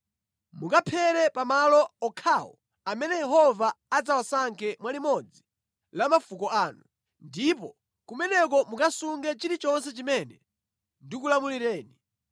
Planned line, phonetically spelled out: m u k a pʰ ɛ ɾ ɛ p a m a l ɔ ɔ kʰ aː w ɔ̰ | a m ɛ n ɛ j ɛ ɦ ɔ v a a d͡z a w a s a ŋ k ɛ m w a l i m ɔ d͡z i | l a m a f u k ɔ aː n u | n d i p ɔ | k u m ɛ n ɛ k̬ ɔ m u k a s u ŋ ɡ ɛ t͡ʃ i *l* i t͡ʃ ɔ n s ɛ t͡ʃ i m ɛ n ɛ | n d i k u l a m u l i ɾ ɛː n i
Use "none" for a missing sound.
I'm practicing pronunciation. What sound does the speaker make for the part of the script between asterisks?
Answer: ɾ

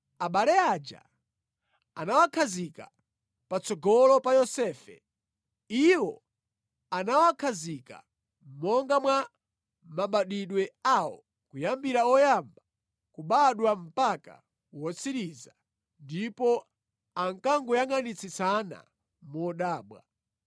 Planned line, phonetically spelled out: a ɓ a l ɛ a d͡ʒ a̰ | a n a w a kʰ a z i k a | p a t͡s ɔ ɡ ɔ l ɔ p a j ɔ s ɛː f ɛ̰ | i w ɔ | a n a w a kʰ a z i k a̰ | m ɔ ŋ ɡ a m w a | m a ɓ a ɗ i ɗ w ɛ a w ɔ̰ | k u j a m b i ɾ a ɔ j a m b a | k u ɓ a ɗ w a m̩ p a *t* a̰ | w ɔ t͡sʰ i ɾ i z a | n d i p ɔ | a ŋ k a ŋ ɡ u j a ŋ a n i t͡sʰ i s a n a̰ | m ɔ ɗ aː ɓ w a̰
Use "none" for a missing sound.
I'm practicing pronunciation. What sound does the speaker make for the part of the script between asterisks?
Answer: k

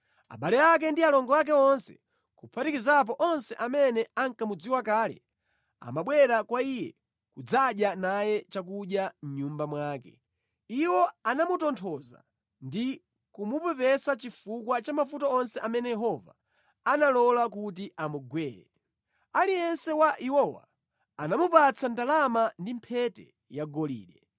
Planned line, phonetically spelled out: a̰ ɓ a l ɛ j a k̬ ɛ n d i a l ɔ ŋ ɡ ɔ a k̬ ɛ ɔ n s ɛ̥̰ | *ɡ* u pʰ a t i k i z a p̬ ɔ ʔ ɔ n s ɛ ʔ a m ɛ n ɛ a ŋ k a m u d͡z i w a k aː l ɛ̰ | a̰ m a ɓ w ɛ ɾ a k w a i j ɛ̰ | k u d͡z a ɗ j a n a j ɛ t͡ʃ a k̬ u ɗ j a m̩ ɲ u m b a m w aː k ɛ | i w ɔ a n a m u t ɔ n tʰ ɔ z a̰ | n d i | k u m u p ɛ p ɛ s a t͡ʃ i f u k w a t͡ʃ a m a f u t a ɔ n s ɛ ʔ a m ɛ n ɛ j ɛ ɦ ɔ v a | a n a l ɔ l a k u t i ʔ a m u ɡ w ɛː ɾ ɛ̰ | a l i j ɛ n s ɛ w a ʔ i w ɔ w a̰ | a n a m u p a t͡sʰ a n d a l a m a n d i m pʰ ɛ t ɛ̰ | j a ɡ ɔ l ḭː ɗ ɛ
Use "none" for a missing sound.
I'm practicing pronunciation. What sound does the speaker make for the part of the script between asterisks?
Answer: k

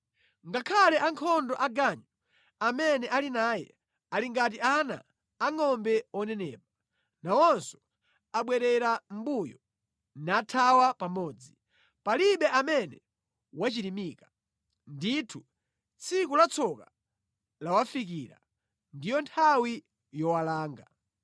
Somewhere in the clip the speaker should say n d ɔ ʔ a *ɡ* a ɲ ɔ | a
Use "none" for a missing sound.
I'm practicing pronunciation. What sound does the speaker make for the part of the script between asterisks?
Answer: ɡ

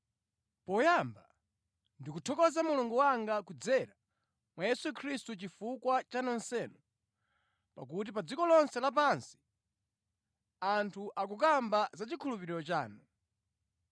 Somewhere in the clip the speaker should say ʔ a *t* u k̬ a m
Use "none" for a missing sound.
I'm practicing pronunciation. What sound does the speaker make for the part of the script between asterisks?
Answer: k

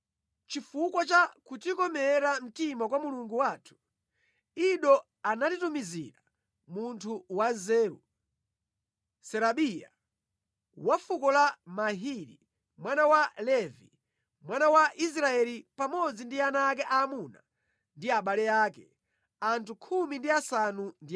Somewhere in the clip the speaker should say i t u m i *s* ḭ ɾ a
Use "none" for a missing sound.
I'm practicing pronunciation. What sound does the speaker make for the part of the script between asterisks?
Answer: z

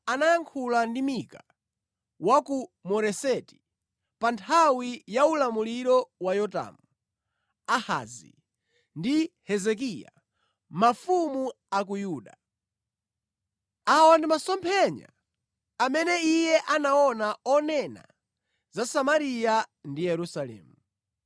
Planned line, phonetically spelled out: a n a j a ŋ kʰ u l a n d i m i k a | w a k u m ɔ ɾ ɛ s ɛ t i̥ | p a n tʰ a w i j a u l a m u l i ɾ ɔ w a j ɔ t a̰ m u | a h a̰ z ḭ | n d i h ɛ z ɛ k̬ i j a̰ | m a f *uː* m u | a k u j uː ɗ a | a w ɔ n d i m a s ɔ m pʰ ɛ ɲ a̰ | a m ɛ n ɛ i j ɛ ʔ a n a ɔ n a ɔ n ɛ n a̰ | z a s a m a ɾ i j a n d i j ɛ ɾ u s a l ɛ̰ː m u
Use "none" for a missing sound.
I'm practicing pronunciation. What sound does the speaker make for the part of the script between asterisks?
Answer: u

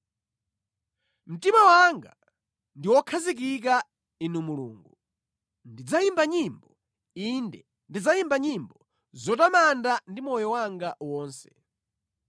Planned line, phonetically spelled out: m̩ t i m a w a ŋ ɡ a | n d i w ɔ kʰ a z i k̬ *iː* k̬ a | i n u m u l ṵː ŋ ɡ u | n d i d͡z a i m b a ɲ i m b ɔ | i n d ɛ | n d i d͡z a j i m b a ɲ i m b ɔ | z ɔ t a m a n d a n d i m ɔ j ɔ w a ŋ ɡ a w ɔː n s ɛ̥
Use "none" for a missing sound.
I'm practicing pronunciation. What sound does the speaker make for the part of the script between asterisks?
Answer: i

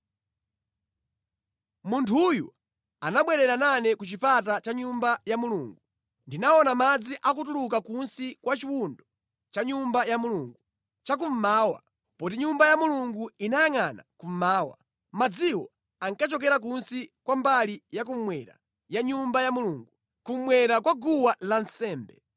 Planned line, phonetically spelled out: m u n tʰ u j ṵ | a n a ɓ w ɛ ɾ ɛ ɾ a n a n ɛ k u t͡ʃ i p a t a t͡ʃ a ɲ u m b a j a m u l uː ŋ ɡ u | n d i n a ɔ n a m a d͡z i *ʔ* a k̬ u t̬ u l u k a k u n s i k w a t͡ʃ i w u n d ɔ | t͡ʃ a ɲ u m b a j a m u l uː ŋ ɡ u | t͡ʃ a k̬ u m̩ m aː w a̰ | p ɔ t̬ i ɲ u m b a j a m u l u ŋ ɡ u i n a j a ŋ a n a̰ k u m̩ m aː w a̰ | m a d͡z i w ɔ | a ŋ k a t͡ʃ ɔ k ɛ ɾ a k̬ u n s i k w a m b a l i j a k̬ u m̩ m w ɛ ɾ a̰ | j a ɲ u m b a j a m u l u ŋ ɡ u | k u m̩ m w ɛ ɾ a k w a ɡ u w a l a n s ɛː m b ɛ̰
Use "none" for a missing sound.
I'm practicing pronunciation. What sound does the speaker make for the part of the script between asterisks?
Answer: ʔ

